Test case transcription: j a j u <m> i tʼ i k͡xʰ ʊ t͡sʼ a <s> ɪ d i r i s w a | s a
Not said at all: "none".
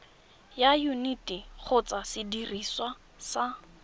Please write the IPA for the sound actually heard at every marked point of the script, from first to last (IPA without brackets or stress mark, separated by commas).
n, s